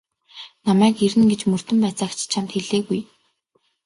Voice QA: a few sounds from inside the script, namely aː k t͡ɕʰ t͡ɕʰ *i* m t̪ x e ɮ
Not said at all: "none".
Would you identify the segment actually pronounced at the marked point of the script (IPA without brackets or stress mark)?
a